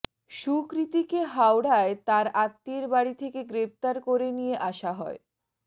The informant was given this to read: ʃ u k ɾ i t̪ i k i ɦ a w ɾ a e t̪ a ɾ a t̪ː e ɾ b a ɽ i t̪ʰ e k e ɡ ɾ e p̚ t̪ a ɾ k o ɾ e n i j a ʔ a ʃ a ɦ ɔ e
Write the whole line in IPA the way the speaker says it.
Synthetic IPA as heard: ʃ u k ɾ i t̪ i k e ɦ a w ɽ a e t̪ a ɾ a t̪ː e ɾ b a ɽ i t̪ʰ e k e ɡ ɾ e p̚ t̪ a ɾ k o ɾ e n i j e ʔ a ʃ a ɦ ɔ e